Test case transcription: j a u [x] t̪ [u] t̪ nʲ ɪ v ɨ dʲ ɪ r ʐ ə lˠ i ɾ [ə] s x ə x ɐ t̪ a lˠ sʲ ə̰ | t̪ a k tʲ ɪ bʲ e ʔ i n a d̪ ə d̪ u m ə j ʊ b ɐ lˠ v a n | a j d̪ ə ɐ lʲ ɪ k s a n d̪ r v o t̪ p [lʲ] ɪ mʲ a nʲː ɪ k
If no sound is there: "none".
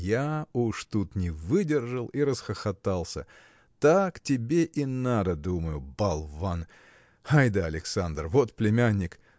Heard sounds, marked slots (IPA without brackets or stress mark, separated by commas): ʂ, u, ə, lʲ